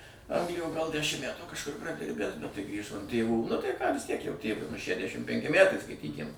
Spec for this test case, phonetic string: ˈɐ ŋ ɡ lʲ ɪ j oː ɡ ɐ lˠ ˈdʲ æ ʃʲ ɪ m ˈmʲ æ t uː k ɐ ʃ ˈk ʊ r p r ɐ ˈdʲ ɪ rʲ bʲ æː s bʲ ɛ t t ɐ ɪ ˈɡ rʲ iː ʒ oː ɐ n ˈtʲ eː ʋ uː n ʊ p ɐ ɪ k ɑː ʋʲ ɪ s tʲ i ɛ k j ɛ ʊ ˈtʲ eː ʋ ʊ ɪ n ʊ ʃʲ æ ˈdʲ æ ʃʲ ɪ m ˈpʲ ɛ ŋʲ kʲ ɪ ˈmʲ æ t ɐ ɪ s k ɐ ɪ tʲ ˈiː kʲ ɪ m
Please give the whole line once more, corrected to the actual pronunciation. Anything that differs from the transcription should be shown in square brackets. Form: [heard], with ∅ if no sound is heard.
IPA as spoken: ˈɐ ŋ ɡ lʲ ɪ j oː ɡ ɐ lˠ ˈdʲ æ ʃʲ ɪ m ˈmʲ æ t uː k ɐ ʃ ˈk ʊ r p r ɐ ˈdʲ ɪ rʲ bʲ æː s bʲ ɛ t t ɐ ɪ ˈɡ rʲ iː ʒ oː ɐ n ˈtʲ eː ʋ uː n ʊ [t] ɐ ɪ k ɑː ʋʲ ɪ s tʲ i ɛ k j ɛ ʊ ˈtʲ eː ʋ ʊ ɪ n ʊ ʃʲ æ ˈdʲ æ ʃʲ ɪ m ˈpʲ ɛ ŋʲ kʲ ɪ ˈmʲ æ t ɐ ɪ s k ɐ ɪ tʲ ˈiː kʲ ɪ m